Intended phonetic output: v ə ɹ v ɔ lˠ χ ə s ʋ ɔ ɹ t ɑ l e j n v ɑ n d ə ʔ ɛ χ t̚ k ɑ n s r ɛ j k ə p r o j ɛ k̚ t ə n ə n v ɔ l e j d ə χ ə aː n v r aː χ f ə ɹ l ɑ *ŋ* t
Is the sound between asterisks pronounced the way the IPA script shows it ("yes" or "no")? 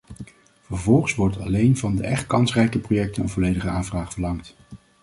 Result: yes